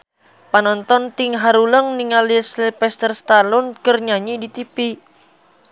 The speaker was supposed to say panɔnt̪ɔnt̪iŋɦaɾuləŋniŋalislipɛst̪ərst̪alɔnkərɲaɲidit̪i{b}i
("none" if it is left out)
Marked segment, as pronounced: p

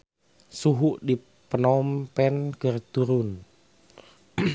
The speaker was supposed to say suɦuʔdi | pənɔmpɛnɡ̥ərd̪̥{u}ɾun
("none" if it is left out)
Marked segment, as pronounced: u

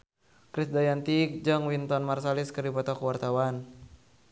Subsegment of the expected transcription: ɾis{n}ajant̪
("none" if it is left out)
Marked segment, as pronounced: d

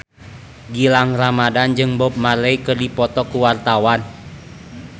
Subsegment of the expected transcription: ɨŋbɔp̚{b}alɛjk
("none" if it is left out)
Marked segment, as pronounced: m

